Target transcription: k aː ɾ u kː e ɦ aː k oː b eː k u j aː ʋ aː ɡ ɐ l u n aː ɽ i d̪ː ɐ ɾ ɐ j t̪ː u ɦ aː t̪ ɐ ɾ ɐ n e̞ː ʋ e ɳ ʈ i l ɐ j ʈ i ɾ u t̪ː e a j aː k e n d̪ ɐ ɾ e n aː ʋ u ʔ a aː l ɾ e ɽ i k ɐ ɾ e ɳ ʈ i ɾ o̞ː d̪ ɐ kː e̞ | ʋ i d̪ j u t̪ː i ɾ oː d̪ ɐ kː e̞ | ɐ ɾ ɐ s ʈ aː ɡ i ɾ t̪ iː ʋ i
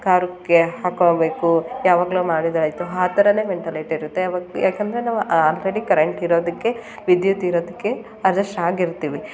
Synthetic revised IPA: k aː ɾ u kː e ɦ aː k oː b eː k u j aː ʋ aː ɡ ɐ l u m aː ɽ i d̪ ɐ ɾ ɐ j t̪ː u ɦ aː t̪ ɐ ɾ ɐ n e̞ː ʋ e ɳ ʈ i l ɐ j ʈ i ɾ u t̪ː e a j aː k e n d̪ ɐ ɾ e n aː ʋ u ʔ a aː l ɾ e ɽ i k ɐ ɾ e ɳ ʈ i ɾ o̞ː d̪ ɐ kː e̞ | ʋ i d̪ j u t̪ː i ɾ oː d̪ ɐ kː e̞ | ɐ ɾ ɐ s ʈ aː ɡ i ɾ t̪ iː ʋ i